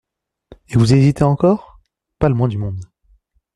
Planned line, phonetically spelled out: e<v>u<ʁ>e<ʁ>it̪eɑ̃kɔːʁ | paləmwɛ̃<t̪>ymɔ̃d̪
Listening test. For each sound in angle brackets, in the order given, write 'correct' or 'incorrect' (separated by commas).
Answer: correct, incorrect, incorrect, incorrect